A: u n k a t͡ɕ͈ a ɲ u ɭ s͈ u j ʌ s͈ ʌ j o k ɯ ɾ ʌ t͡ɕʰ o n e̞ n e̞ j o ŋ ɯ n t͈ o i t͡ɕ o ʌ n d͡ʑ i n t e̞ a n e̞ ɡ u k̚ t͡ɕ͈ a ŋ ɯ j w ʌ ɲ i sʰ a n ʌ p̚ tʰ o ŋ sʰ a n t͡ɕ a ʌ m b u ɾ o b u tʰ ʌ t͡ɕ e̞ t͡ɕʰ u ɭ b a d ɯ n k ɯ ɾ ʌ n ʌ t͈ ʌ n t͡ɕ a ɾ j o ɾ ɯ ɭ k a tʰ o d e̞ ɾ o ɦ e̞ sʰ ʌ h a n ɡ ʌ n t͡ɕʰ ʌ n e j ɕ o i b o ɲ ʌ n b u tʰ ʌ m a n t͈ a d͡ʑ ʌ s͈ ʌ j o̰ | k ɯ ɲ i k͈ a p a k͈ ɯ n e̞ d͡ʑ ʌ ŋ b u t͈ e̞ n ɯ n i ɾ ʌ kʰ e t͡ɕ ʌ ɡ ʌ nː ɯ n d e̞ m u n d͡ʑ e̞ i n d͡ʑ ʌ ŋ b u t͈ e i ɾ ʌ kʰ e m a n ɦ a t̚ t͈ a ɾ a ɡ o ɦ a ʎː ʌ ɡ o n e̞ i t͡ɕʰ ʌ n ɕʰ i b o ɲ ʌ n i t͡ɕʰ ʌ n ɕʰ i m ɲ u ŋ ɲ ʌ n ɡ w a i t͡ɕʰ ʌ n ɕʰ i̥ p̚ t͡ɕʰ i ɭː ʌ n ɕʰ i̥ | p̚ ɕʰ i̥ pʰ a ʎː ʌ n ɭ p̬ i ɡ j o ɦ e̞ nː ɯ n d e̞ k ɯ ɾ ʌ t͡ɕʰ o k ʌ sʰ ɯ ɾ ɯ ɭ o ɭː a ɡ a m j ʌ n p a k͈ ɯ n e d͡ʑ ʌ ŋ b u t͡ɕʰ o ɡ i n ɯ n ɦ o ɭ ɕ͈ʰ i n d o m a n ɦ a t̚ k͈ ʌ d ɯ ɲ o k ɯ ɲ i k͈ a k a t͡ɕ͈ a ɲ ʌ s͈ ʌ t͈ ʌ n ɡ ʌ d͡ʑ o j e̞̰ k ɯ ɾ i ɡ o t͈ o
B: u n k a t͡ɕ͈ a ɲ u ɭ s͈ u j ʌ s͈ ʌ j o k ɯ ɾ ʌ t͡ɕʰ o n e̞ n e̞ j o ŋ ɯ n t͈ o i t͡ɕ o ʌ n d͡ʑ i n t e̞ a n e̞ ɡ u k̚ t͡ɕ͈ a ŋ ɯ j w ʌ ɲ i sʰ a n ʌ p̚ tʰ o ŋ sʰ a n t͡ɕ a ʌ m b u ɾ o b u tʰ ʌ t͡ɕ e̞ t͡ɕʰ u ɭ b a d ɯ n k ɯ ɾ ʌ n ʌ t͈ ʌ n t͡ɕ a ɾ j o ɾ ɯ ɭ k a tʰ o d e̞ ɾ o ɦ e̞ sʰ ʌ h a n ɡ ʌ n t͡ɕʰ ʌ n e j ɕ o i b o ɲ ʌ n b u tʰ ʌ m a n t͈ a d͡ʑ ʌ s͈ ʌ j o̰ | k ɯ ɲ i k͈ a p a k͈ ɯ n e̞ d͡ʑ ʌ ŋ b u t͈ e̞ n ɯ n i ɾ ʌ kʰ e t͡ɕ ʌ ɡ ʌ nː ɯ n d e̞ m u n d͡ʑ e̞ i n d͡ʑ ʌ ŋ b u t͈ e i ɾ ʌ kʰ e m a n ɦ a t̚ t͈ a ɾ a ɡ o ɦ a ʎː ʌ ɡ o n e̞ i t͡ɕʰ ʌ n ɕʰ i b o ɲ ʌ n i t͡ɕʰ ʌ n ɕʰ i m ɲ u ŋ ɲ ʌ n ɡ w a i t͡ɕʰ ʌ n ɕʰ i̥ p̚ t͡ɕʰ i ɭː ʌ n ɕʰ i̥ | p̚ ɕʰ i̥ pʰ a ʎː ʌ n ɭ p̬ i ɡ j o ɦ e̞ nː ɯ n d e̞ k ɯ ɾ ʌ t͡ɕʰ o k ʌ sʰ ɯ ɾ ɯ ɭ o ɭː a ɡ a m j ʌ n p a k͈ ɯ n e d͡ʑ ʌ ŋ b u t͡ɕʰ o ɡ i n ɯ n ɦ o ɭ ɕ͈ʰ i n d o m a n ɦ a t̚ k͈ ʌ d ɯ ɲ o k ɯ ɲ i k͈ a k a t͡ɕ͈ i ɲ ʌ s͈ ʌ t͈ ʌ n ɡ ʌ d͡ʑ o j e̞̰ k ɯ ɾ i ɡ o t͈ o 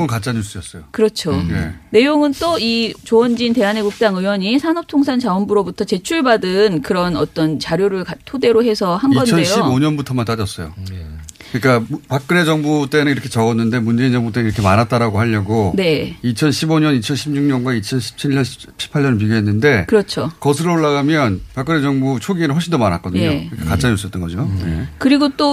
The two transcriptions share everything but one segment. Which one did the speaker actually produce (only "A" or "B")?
A